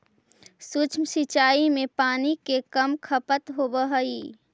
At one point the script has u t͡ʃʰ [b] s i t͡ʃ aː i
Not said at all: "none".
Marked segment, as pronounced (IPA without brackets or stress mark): m